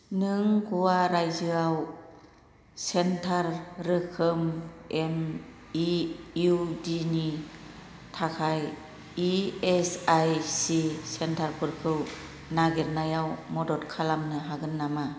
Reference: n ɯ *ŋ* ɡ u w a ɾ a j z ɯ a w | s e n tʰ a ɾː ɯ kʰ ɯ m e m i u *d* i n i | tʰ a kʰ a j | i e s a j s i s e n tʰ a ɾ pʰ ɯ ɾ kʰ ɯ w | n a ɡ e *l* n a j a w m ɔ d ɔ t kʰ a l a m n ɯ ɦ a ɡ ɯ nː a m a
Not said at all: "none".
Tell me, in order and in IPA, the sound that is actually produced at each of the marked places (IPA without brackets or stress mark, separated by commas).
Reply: ŋ, d, ɾ